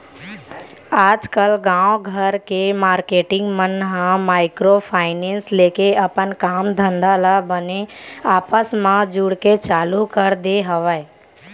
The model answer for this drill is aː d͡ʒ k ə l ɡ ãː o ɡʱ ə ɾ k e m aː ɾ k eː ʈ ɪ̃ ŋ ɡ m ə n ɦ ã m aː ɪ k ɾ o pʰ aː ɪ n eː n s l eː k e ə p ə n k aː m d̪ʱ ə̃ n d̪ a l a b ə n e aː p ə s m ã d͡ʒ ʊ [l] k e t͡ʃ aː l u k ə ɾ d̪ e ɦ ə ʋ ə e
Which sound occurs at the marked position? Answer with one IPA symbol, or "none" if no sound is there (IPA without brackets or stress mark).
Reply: ɽ